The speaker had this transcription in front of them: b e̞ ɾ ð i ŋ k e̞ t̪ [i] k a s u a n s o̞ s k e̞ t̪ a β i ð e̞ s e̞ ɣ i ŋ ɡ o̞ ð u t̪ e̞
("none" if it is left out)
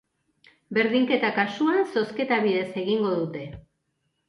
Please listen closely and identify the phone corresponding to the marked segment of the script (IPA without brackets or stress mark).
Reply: a